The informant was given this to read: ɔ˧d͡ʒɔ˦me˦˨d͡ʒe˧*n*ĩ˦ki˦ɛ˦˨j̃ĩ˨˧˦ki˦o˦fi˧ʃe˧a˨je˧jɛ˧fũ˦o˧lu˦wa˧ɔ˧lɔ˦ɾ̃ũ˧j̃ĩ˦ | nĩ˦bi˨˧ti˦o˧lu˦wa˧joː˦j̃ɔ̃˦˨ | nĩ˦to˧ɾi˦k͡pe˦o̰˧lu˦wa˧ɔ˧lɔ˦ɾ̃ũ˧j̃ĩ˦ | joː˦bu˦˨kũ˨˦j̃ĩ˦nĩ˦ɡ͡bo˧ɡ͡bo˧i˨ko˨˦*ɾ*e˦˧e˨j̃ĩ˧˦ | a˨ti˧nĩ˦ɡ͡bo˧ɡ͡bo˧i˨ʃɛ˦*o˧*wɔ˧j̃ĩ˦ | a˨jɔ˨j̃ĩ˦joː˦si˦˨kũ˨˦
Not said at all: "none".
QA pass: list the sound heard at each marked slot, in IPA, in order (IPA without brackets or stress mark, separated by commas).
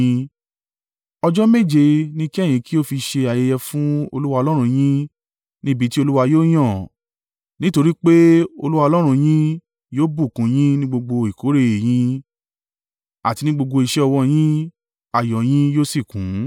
n, ɾ, ɔ˧